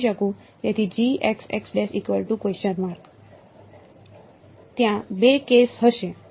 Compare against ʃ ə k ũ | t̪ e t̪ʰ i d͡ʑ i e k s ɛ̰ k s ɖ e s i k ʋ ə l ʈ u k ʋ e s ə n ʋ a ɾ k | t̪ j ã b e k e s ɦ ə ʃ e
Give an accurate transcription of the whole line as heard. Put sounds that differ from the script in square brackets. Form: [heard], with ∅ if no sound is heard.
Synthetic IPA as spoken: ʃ ə k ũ | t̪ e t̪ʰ i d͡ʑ i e k s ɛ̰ k s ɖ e s i k ʋ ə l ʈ u k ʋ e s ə n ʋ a ɾ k | t̪ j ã b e k e s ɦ ə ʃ e